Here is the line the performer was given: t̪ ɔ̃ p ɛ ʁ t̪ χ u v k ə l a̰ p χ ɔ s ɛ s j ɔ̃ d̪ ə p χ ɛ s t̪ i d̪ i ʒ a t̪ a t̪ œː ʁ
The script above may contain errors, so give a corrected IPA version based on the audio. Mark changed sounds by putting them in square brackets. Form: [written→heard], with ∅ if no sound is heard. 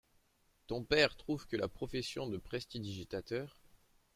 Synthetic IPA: t̪ ɔ̃ p ɛ ʁ t̪ χ u v k ə l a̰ p χ ɔ [s→f] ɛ s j ɔ̃ d̪ ə p χ ɛ s t̪ i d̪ i ʒ [a→i] t̪ a t̪ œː ʁ